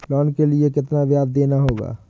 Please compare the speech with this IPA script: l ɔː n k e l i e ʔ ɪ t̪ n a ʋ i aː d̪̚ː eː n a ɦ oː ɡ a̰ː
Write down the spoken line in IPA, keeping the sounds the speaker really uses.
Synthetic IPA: l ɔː n k e l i e k ɪ t̪ n a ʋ j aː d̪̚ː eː n a ɦ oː ɡ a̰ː